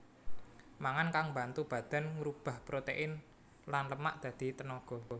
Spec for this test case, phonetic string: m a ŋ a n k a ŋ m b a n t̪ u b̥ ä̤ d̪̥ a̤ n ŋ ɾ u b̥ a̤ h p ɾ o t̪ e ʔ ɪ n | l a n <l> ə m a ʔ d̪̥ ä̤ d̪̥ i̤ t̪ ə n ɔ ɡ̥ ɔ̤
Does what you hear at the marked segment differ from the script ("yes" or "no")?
no